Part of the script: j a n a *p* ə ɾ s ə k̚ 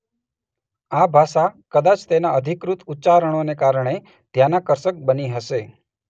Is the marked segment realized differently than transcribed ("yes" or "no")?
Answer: yes